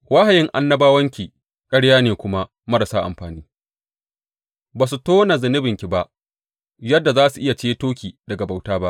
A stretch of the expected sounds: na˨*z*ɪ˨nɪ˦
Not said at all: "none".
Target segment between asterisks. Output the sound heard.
z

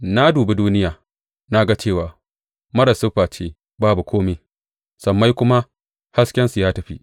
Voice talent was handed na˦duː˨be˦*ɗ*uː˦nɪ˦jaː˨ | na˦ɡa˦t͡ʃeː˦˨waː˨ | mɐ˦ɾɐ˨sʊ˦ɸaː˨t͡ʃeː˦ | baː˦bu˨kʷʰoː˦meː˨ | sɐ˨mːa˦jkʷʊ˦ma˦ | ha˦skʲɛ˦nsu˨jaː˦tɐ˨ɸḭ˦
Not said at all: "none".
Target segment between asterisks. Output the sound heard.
d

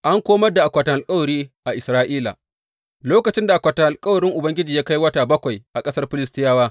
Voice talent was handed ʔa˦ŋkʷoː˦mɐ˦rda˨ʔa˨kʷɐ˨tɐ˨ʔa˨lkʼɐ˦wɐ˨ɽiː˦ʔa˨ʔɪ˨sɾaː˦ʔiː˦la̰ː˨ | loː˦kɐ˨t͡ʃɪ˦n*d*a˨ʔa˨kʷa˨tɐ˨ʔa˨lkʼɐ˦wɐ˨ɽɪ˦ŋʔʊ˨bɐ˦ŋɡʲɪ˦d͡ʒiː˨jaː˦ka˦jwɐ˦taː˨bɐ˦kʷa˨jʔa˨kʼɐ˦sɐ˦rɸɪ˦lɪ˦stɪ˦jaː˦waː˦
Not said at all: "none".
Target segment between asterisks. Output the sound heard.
d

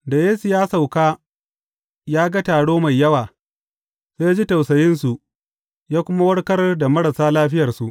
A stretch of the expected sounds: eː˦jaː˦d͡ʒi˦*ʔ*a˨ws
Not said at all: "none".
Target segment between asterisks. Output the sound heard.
t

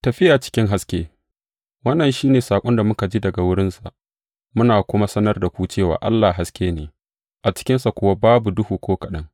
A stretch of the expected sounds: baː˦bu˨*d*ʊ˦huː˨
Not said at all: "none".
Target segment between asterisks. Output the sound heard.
d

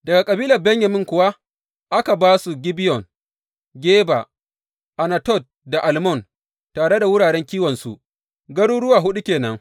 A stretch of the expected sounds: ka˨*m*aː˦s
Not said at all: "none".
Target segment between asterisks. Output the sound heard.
b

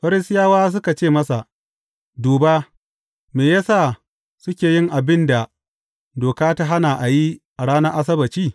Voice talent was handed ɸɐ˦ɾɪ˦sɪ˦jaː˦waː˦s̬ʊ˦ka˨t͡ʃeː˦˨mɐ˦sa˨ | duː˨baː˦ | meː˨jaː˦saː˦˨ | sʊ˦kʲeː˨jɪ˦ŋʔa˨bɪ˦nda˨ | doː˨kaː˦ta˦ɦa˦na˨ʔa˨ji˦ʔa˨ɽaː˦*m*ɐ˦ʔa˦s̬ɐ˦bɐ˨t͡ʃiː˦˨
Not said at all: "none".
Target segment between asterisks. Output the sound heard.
n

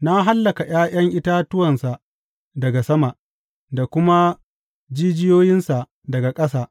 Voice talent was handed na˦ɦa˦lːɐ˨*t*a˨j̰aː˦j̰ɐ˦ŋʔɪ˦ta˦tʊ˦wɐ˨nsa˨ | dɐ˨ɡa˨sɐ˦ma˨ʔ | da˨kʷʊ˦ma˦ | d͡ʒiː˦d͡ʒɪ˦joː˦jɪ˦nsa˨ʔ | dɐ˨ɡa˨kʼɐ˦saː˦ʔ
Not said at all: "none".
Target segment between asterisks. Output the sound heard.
k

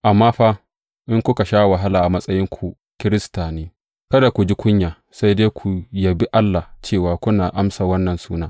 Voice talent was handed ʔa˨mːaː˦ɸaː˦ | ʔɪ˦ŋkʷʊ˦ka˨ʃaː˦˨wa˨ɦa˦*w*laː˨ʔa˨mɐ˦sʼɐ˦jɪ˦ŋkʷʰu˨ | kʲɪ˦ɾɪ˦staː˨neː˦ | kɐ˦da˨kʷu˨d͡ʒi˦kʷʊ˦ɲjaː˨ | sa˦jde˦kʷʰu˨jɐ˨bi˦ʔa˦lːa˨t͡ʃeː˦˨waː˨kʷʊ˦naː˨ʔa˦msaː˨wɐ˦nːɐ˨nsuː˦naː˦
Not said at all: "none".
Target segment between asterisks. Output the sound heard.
none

